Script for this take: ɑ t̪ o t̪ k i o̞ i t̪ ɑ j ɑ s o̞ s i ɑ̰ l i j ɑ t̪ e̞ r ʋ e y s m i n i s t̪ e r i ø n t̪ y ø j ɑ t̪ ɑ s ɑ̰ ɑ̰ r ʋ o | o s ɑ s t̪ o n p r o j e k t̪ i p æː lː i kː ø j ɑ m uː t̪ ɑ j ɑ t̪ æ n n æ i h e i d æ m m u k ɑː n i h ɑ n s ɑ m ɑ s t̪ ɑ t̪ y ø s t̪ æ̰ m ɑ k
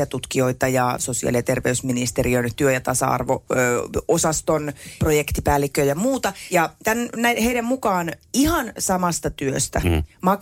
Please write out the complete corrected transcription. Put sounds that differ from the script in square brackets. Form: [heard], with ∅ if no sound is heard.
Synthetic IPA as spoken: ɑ t̪ [u] t̪ k i o̞ i t̪ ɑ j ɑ s o̞ s i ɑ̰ l i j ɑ t̪ e̞ r ʋ e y s m i n i s t̪ e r i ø n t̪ y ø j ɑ t̪ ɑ s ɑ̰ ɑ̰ r ʋ o | o s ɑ s t̪ o n p r o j e k t̪ i p æː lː i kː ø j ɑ m uː t̪ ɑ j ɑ t̪ æ n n æ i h e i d æ m m u k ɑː n i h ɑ n s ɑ m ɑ s t̪ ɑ t̪ y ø s t̪ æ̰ m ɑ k